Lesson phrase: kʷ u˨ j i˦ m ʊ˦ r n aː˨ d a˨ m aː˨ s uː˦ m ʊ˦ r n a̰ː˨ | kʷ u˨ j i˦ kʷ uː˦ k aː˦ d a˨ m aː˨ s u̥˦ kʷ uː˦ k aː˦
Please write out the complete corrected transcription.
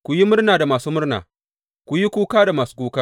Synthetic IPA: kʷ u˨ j i˦ m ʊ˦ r n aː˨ d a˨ m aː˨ s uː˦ m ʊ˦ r n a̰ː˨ | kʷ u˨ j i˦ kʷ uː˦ k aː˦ d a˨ m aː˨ s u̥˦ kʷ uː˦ k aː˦